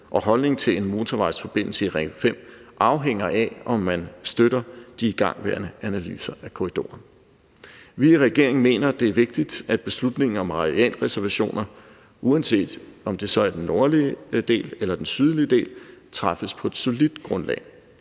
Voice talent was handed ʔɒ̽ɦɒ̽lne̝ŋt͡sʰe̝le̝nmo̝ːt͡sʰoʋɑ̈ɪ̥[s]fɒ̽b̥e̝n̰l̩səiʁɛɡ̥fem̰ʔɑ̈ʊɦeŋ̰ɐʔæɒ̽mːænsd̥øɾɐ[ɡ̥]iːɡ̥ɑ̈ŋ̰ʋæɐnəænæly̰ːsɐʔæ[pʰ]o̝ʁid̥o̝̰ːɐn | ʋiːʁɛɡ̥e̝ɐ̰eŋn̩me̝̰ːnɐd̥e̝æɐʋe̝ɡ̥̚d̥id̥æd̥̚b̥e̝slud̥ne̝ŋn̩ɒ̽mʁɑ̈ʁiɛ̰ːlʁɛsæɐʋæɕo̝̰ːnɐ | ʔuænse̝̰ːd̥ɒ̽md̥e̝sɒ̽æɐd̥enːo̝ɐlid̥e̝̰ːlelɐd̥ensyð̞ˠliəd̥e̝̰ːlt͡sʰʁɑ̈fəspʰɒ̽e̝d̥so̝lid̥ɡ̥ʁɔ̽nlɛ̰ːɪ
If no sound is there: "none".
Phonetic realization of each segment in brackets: s, d̥, kʰ

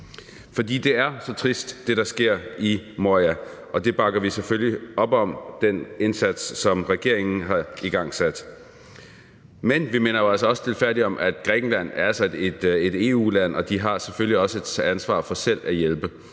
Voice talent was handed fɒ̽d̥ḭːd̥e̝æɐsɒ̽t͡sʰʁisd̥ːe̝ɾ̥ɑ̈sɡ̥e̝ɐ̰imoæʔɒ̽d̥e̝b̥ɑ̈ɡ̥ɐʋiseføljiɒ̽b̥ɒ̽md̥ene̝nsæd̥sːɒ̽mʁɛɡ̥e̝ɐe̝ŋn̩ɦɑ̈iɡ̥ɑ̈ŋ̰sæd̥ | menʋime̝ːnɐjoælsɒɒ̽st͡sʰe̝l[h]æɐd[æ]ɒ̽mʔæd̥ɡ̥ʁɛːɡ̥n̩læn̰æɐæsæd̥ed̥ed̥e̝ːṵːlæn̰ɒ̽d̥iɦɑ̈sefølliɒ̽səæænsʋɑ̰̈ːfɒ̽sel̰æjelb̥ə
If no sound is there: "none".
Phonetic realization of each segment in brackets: f, i

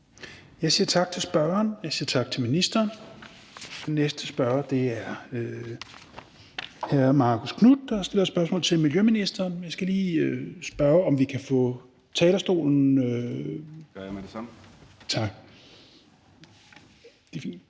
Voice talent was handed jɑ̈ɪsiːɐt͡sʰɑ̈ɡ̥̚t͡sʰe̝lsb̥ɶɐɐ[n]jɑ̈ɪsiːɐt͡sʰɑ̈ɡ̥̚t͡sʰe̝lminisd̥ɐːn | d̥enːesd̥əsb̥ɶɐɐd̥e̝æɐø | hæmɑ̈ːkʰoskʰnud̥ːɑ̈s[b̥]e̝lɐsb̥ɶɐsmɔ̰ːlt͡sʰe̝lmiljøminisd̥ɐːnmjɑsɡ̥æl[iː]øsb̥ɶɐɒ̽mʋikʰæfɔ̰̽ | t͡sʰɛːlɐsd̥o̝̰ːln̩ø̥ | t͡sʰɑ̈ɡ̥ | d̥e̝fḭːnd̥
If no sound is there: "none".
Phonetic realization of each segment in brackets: n, d̥, iː

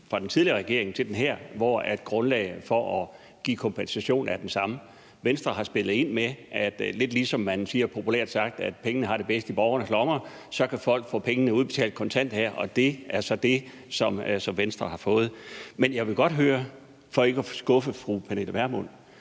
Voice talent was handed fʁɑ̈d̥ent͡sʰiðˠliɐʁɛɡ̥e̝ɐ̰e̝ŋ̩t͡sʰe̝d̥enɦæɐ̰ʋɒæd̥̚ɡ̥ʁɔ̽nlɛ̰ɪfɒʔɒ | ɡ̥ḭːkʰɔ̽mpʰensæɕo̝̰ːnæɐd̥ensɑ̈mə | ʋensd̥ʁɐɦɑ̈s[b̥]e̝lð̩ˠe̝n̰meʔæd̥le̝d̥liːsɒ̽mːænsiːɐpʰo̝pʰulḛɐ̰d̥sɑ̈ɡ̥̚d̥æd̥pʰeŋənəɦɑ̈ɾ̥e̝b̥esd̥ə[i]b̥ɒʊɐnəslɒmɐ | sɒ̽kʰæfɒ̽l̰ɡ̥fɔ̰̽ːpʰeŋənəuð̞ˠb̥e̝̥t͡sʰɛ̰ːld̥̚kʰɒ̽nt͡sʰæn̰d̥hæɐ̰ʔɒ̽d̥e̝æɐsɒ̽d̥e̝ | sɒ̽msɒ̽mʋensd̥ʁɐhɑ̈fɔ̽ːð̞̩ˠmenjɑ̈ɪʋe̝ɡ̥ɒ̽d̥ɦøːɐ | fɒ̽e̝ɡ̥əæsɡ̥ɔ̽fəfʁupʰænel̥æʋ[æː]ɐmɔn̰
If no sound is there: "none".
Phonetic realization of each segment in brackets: b̥, i, æ

